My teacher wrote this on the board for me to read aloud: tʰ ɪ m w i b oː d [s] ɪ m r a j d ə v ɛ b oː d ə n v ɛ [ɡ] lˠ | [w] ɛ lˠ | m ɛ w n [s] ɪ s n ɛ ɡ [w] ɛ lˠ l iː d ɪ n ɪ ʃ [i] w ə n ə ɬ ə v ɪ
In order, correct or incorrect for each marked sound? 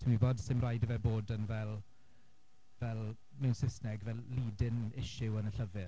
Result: correct, incorrect, incorrect, correct, incorrect, incorrect

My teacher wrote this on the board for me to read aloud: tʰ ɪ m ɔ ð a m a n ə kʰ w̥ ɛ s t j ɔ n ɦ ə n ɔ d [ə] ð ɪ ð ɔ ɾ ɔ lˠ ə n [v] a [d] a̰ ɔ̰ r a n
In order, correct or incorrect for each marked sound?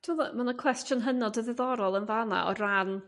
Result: correct, correct, incorrect

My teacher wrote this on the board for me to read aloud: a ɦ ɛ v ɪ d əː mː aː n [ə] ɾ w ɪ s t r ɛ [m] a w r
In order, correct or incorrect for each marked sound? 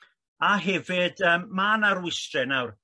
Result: incorrect, incorrect

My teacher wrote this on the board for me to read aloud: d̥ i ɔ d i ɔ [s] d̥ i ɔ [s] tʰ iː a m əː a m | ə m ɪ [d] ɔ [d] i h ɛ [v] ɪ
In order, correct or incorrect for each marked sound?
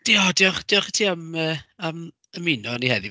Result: incorrect, incorrect, incorrect, incorrect, incorrect

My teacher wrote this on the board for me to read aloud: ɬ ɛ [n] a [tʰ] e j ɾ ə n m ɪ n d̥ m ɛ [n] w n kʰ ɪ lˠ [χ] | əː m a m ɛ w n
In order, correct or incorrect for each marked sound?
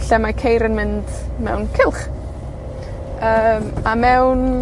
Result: incorrect, incorrect, incorrect, correct

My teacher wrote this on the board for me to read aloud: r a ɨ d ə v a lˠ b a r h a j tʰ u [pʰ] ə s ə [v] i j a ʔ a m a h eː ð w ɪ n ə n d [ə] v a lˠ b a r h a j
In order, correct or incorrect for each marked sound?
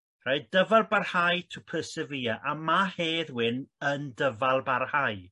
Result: correct, correct, correct

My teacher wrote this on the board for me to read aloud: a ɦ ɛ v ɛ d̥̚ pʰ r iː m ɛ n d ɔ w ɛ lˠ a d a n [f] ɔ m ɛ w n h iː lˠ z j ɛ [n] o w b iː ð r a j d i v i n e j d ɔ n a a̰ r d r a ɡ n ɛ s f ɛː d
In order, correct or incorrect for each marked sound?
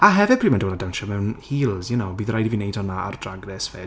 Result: incorrect, correct

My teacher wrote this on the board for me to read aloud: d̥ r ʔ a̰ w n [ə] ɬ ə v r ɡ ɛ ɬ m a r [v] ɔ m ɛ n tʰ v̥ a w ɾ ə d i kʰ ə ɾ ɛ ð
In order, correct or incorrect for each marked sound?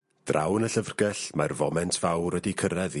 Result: correct, correct

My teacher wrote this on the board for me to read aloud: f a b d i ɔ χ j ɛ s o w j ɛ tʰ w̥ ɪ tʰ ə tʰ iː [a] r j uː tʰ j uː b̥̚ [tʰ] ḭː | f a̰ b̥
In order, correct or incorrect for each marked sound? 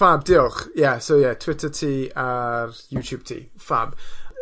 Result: correct, correct

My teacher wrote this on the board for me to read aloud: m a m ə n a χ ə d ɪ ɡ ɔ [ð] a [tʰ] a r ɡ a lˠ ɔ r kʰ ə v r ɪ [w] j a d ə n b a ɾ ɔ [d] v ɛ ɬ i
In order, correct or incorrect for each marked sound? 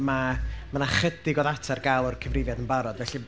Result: correct, correct, incorrect, correct

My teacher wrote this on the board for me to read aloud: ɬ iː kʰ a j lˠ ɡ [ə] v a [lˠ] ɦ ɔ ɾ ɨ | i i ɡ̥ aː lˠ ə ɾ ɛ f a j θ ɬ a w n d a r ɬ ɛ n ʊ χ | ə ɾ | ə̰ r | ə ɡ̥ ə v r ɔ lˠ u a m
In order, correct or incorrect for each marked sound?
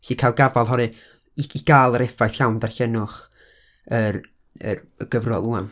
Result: incorrect, correct

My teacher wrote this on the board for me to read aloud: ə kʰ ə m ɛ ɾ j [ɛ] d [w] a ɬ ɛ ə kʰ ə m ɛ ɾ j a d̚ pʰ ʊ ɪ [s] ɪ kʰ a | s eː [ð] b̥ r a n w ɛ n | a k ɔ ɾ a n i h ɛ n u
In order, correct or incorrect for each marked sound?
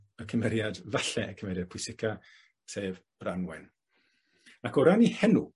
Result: incorrect, incorrect, correct, incorrect

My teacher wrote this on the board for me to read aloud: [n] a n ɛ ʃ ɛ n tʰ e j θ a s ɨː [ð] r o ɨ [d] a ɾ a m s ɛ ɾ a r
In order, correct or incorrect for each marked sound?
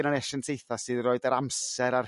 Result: correct, correct, correct

